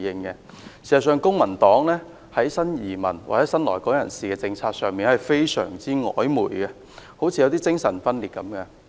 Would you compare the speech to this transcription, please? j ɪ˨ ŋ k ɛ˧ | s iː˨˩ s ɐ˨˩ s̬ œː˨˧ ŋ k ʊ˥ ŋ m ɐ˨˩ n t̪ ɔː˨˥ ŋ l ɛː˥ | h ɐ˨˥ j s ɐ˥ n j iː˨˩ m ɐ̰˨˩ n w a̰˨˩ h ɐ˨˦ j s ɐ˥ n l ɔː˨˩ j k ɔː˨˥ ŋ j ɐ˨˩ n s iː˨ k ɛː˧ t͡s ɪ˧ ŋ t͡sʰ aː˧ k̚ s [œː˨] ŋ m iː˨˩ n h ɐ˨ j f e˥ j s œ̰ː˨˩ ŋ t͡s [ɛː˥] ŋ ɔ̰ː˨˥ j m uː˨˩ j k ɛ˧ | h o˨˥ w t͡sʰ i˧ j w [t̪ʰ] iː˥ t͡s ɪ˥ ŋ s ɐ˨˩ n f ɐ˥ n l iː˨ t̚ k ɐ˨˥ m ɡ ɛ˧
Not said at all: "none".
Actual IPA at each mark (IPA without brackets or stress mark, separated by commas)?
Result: œː˨, iː˥, t̪